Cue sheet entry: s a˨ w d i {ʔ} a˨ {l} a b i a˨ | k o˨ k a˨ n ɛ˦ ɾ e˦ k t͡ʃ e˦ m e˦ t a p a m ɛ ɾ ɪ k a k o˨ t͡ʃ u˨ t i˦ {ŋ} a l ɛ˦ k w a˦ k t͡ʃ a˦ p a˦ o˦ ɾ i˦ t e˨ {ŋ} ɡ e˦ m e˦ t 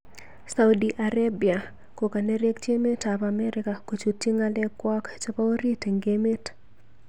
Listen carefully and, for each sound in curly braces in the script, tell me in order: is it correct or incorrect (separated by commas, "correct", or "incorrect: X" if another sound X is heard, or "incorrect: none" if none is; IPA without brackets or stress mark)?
correct, incorrect: ɾ, correct, correct